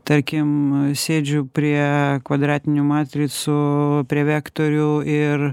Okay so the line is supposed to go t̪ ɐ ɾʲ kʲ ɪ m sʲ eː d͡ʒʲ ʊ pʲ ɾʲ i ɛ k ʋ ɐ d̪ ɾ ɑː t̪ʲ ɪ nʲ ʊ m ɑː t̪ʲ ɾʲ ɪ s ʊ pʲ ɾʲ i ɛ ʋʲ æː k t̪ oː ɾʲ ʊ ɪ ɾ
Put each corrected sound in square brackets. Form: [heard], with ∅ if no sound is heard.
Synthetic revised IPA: t̪ ɐ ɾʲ kʲ ɪ m sʲ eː d͡ʒʲ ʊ pʲ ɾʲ i ɛ k ʋ ɐ d̪ ɾ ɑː t̪ʲ ɪ nʲ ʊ m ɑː t̪ʲ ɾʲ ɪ s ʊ pʲ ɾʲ i ɛ ʋʲ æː k t̪ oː ɾʲ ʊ ɪ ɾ